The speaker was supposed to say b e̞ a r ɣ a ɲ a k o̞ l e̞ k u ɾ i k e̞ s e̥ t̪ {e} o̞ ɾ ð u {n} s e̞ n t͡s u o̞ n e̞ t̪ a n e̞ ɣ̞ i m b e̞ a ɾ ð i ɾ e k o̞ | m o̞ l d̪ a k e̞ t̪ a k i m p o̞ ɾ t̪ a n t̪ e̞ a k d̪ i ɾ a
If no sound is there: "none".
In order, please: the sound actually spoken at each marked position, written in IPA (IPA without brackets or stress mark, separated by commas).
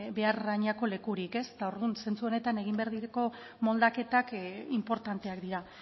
a, n